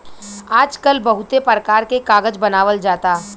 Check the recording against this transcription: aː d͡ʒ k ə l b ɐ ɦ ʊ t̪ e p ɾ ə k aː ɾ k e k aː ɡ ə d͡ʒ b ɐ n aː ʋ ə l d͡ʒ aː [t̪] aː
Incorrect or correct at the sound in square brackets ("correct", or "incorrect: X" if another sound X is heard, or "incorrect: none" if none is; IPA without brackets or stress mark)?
correct